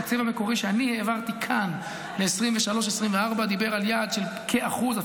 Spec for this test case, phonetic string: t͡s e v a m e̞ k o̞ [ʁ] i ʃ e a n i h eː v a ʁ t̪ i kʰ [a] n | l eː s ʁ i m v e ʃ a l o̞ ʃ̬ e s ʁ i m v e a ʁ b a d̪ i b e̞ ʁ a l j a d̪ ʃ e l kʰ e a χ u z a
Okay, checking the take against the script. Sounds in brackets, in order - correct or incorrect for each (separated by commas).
correct, correct